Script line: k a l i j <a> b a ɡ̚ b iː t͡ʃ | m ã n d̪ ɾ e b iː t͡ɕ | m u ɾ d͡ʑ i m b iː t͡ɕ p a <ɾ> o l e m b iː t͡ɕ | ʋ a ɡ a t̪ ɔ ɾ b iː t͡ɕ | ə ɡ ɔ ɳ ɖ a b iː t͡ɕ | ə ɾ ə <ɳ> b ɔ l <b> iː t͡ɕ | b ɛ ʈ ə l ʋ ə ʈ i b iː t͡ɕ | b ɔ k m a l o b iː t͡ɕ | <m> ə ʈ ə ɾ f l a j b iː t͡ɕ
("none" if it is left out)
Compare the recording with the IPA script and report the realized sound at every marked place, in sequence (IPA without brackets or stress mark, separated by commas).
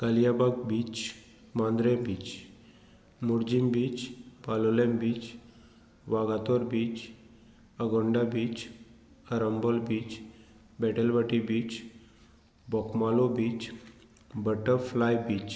a, l, m, b, b